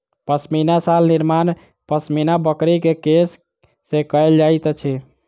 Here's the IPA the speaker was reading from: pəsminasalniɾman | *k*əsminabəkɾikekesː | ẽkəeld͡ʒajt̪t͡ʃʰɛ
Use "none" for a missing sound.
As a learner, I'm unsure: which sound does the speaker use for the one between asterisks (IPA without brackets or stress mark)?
p